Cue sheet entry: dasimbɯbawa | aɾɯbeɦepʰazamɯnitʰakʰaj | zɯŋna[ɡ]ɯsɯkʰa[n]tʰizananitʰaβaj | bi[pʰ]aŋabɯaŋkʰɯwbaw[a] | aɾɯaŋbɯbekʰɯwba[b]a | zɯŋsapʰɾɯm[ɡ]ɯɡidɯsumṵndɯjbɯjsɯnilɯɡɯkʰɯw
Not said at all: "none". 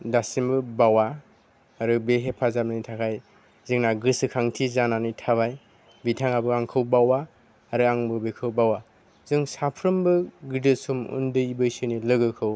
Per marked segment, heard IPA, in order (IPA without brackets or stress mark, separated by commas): ɡ, ŋ, tʰ, a, w, b